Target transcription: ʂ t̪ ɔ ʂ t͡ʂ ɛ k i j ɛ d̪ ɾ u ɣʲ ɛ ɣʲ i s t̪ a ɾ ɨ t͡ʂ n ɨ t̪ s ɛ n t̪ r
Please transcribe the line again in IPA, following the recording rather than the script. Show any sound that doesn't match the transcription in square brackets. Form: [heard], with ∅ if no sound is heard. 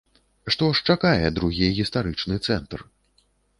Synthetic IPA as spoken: ʂ t̪ ɔ ʂ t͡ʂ [a] k [a] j ɛ d̪ ɾ u ɣʲ [i] ɣʲ i s t̪ a ɾ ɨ t͡ʂ n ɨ t̪ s ɛ n t̪ r